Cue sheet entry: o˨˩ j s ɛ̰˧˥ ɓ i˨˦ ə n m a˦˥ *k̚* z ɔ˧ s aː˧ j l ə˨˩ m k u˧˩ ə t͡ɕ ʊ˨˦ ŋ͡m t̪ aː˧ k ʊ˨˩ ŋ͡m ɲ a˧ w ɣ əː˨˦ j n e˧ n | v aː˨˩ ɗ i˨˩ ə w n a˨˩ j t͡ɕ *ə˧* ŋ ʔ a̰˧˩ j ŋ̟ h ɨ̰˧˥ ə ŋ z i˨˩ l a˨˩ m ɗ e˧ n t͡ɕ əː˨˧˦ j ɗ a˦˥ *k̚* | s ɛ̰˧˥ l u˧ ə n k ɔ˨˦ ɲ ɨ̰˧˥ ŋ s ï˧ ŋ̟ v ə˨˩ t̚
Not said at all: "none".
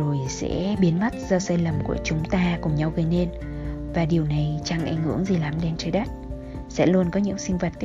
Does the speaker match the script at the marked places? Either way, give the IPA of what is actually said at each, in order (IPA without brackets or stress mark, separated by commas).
t̚, a˧, t̚